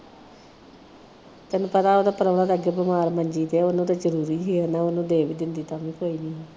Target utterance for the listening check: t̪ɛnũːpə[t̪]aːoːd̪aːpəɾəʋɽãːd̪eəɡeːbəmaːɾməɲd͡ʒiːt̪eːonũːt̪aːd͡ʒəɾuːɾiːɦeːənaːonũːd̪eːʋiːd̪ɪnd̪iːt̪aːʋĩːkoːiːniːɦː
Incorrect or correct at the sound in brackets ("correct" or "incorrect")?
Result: correct